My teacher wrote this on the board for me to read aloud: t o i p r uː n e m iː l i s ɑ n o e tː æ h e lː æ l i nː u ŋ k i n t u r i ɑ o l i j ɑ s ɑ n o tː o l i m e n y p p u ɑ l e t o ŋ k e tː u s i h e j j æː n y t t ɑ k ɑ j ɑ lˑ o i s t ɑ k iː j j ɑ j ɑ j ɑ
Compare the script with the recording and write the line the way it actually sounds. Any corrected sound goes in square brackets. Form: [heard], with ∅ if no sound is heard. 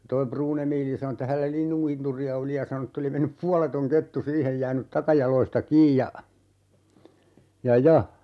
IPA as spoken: t o i p r uː n e m iː l i s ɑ n o e tː æ h [æ] lː æ l i nː u ŋ k i n t u r i ɑ o l i j ɑ s ɑ n o tː o l i m e [nː] y p p u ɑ l e t o ŋ k e tː u s [iː] h e j j æː n y t t ɑ k ɑ j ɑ lˑ o i s t ɑ k iː j j ɑ j ɑ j ɑ